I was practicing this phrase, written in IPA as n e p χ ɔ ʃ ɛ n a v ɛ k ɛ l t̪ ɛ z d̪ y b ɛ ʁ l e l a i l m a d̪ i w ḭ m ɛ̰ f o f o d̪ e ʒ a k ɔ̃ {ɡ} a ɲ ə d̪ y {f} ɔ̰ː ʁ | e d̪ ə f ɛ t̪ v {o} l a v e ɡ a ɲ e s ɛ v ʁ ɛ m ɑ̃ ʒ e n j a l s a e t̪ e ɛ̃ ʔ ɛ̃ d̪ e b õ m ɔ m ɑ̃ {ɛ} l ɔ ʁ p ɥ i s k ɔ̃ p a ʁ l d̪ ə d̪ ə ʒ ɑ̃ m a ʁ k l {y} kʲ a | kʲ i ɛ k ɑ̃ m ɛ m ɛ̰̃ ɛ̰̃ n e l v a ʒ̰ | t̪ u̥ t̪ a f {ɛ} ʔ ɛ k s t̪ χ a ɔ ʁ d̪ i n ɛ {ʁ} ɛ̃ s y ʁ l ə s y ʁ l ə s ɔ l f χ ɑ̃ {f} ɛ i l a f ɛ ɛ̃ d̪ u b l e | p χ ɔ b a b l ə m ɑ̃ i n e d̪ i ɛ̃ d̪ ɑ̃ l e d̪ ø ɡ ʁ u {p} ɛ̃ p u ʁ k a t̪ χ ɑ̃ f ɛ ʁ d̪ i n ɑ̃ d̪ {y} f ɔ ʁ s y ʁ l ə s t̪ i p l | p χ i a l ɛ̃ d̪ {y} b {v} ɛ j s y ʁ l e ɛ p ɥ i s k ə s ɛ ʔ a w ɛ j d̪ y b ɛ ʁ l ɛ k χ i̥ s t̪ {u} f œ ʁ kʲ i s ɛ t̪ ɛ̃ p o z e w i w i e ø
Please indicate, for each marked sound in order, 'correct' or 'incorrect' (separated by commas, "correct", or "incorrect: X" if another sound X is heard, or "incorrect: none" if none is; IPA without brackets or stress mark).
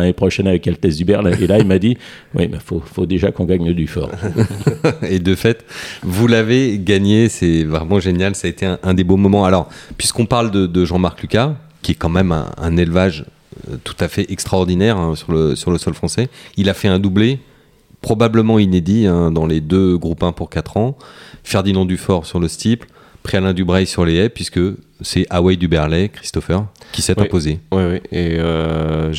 correct, correct, incorrect: u, incorrect: a, correct, correct, correct, incorrect: s, correct, correct, correct, incorrect: ʁ, incorrect: ɔ